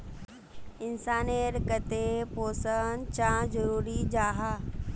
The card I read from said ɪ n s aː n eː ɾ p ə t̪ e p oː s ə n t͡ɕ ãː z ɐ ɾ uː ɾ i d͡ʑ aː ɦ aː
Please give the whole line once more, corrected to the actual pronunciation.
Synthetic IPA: ɪ n s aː n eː ɾ k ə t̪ e p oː s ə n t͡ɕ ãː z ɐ ɾ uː ɾ i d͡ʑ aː ɦ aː